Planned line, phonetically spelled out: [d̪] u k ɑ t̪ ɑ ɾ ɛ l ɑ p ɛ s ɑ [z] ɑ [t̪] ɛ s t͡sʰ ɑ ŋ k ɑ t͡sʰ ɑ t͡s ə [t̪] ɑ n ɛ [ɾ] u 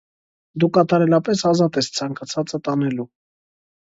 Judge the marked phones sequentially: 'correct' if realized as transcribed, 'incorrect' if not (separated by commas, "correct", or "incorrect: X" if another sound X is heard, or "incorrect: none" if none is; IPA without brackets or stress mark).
correct, correct, correct, correct, incorrect: l